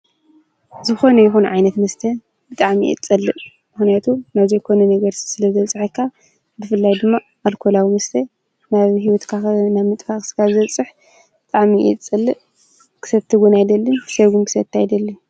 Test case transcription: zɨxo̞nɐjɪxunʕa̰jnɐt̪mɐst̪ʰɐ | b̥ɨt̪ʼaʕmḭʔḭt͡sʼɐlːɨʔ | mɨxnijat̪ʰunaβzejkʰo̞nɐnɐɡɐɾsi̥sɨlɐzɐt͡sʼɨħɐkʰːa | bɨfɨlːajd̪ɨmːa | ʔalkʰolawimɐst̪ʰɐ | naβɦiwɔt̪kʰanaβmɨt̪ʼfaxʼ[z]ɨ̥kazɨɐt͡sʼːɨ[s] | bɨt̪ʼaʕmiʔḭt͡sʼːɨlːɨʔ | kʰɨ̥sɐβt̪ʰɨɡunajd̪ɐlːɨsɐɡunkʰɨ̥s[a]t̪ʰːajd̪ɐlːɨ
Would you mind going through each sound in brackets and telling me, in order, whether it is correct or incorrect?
incorrect: s, incorrect: ħ, incorrect: ɐ

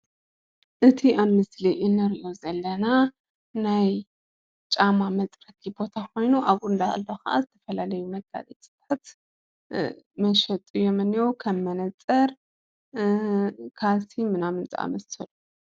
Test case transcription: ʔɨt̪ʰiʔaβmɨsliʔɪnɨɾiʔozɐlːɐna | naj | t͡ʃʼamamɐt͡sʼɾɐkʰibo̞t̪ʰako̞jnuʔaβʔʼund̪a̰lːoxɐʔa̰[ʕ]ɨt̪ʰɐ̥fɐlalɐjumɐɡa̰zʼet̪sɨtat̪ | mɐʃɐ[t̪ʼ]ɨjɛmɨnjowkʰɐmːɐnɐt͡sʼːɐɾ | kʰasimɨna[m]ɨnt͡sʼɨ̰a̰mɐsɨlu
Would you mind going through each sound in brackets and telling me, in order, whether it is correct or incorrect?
incorrect: z, correct, correct

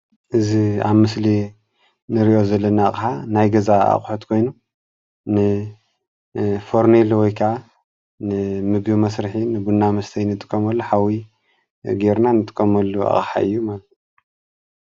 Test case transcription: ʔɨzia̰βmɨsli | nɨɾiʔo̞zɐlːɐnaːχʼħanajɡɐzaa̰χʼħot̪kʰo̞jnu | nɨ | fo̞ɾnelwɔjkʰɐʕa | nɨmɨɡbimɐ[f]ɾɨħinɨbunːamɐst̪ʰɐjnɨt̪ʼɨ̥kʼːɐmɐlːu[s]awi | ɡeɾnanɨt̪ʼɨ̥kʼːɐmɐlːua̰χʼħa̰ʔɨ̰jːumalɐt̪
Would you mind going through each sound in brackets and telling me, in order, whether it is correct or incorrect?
incorrect: s, incorrect: ħ

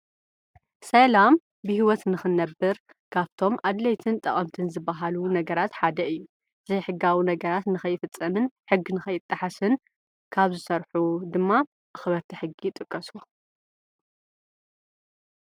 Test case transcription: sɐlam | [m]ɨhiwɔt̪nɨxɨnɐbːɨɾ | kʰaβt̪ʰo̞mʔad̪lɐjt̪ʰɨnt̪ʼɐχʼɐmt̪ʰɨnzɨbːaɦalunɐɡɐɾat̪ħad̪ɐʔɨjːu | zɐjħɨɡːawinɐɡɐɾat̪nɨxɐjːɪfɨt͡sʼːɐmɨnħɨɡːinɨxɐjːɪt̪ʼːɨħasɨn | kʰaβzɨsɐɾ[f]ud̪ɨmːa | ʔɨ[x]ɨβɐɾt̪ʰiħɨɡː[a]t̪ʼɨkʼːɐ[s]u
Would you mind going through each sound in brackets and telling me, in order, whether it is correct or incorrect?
incorrect: b, incorrect: ħ, correct, incorrect: i, correct

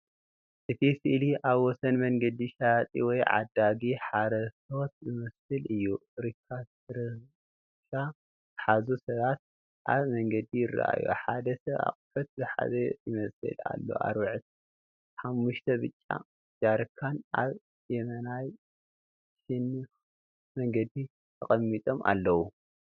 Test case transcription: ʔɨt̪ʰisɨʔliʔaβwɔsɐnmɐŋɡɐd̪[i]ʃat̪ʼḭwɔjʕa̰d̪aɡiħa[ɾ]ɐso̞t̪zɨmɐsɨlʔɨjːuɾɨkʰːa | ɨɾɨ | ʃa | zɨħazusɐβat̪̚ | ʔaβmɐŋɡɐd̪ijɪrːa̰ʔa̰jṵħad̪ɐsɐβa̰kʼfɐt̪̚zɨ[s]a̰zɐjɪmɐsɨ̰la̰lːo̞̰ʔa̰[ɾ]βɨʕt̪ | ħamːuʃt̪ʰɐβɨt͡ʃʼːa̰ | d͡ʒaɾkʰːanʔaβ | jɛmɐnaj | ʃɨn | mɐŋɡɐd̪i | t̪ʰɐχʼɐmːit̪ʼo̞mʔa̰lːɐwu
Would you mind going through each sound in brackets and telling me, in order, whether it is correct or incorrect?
correct, correct, incorrect: ħ, correct

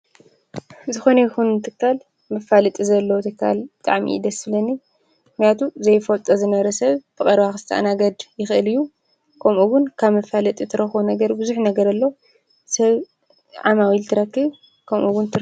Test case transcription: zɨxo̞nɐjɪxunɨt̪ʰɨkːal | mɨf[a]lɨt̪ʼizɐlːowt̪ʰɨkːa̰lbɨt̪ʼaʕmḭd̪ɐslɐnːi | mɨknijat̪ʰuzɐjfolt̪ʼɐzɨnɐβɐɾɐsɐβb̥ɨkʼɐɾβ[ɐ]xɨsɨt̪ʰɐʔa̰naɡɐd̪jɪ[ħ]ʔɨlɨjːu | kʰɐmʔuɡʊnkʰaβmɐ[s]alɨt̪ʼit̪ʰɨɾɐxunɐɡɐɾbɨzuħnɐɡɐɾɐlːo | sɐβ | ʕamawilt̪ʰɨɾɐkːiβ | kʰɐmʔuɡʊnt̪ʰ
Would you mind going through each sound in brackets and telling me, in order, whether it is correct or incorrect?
correct, incorrect: a, incorrect: x, incorrect: f

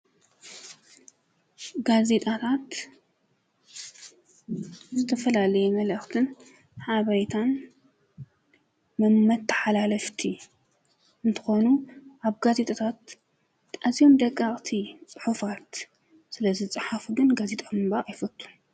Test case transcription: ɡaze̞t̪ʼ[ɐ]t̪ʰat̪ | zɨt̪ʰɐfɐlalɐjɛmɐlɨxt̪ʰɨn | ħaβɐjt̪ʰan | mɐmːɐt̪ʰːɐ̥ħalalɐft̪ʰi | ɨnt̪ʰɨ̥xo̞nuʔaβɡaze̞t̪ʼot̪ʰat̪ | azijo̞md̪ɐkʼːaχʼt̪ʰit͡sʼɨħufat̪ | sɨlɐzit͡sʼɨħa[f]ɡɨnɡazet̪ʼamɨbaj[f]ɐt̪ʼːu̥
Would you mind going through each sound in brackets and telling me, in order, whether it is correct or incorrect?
incorrect: a, correct, correct

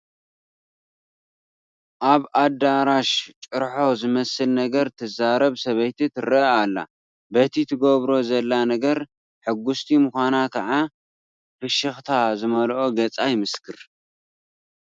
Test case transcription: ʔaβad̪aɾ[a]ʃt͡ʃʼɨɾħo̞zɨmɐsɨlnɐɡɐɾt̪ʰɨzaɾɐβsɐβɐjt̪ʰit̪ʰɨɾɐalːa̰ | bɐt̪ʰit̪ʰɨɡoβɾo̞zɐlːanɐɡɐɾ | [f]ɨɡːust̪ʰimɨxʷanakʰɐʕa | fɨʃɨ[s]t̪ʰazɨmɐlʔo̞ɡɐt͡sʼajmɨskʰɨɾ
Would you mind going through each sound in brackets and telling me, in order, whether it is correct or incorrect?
correct, incorrect: ħ, incorrect: x

